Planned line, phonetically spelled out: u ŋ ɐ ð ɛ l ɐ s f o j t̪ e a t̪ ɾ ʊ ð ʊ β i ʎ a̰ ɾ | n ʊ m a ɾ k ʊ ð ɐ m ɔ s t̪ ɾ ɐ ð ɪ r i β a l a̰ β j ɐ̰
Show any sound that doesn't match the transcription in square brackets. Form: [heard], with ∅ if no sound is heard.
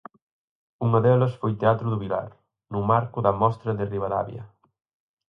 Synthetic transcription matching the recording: u ŋ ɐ ð ɛ l ɐ s f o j t̪ e a t̪ ɾ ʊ ð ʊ β i [l] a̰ ɾ | n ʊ m a ɾ k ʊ ð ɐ m ɔ s t̪ ɾ ɐ ð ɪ r i β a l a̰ β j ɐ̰